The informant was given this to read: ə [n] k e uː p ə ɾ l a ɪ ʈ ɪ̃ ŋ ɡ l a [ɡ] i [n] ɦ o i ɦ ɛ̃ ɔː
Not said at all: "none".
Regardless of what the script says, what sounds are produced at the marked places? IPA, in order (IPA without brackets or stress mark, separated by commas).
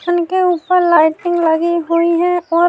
n, ɡ, none